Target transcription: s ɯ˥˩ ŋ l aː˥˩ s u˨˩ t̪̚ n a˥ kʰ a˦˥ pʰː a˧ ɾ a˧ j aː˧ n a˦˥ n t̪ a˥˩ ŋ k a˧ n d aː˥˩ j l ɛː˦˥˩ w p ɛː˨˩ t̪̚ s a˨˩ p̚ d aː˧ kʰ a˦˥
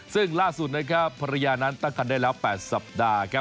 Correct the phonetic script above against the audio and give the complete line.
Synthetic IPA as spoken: s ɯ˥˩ ŋ l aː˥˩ s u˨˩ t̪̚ n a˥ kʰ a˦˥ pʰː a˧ ɾ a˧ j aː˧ n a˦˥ n t̪ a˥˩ ŋ k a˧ n d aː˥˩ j l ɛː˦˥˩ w p ɛː˨˩ t̪̚ s a˨˩ p̚ d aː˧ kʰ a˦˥